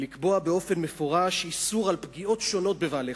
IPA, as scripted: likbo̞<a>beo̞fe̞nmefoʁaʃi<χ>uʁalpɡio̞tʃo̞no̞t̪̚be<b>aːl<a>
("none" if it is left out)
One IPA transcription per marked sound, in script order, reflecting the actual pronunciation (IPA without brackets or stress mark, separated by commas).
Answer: a, s, v, e